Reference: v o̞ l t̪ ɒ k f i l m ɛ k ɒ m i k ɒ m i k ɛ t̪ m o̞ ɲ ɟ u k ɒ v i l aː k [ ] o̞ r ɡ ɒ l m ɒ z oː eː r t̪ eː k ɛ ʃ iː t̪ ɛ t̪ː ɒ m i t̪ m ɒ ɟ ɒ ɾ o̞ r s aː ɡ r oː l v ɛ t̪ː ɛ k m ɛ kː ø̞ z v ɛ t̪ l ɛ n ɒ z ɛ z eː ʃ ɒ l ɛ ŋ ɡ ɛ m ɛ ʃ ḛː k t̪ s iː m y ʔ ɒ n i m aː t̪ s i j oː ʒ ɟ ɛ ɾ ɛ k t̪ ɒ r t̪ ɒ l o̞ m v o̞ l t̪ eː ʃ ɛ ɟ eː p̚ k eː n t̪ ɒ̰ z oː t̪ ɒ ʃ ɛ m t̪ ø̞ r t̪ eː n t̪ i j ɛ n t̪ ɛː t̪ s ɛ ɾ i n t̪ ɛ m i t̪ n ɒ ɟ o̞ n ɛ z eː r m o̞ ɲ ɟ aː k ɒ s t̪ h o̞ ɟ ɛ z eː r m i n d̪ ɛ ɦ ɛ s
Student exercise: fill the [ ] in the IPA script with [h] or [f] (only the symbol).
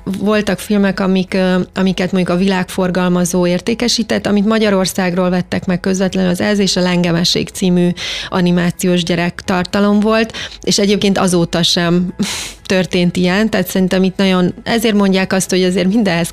f